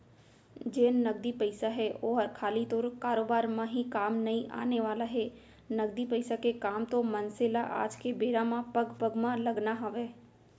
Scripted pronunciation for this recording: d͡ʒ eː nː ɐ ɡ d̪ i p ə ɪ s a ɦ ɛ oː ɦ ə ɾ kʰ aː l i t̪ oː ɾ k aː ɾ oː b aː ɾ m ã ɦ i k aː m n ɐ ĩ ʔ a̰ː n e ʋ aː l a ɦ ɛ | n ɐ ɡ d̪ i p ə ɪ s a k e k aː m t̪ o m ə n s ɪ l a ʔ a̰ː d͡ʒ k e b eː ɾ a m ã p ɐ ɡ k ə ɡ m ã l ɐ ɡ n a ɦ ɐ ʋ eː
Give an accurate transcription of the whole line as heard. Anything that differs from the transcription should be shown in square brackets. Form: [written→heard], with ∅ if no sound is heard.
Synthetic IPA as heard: d͡ʒ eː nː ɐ ɡ d̪ i p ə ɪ s a ɦ ɛ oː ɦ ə ɾ kʰ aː l i t̪ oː ɾ k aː ɾ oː b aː ɾ m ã ɦ i k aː m n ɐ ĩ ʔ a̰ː n e ʋ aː l a ɦ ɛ | n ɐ ɡ d̪ i p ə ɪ s a k e k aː m t̪ o m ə n s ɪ l a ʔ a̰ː d͡ʒ k e b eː ɾ a m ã p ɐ ɡ [k→p] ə ɡ m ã l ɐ ɡ n a ɦ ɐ ʋ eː